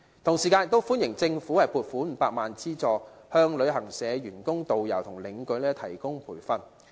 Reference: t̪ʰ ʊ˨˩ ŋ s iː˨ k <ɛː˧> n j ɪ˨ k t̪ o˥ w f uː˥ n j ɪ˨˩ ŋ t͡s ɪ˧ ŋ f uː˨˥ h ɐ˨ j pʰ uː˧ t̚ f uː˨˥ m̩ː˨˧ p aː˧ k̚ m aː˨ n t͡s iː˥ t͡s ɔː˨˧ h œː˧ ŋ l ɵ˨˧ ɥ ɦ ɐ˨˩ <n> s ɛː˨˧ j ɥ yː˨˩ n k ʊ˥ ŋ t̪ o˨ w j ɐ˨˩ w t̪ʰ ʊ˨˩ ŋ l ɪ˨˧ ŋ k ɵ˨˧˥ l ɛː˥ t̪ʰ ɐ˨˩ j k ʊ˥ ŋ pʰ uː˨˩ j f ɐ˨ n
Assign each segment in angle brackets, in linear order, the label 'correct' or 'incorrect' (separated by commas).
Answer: incorrect, incorrect